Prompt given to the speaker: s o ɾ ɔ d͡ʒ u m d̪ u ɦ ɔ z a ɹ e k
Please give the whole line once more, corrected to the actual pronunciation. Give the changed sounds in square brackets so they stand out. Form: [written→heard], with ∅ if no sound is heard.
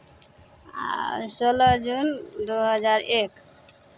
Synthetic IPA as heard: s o [ɾ→l] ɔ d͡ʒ u [m→n] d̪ u ɦ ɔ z a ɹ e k